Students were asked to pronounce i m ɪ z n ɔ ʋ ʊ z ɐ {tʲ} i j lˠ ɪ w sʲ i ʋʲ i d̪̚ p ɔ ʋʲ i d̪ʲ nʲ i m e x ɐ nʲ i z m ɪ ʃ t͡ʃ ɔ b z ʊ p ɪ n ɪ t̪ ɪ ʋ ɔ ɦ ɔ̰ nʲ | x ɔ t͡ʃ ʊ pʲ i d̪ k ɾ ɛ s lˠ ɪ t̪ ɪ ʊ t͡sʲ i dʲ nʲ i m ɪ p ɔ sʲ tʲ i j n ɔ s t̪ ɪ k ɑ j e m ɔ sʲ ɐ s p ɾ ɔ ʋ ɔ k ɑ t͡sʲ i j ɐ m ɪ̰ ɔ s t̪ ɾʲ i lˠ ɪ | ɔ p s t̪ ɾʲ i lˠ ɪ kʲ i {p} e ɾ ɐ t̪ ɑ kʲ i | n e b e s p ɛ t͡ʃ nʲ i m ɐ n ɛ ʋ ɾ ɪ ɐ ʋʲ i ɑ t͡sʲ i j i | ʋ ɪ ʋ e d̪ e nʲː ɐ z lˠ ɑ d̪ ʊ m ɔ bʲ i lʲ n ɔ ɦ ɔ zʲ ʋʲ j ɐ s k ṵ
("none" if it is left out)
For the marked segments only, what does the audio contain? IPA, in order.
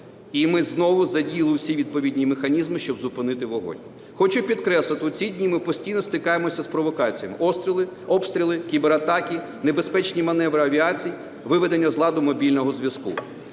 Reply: dʲ, b

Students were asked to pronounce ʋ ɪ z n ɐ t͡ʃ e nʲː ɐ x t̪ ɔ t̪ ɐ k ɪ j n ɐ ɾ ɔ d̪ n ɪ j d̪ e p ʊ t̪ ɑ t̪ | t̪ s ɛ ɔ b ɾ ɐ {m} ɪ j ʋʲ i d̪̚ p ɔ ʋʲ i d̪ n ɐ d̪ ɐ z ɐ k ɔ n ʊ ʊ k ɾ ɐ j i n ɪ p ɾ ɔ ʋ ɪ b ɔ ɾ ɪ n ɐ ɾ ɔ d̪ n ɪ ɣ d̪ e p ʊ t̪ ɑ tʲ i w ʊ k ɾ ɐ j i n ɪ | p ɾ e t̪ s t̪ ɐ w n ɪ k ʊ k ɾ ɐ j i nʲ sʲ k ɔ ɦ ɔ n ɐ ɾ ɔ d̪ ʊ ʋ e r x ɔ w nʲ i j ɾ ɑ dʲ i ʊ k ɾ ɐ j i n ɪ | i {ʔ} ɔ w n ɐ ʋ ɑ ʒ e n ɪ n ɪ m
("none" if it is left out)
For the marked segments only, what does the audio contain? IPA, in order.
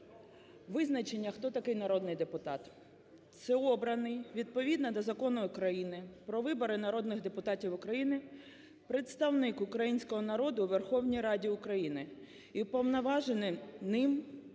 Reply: n, p

